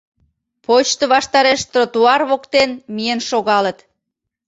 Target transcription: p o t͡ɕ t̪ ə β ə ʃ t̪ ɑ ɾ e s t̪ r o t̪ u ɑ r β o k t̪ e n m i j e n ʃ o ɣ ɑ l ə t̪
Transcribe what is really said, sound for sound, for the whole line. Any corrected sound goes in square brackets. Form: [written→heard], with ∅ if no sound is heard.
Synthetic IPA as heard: p o t͡ɕ t̪ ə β [ə→ɑ] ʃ t̪ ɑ ɾ e [s→ʃ] t̪ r o t̪ u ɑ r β o k t̪ e n m i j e n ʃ o ɣ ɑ l ə t̪